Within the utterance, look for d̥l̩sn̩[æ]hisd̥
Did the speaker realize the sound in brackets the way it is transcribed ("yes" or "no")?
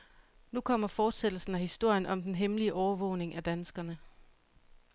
yes